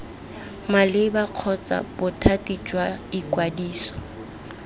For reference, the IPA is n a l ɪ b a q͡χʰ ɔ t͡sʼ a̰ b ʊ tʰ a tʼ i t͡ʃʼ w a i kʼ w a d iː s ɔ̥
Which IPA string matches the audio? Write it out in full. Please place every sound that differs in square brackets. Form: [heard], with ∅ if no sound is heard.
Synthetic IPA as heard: [m] a l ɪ b a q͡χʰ ɔ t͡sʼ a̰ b ʊ tʰ a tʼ i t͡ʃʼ w a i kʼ w a d iː s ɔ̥